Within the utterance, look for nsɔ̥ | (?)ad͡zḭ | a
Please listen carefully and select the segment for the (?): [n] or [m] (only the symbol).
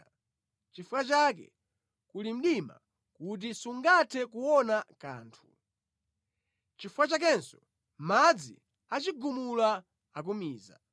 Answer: m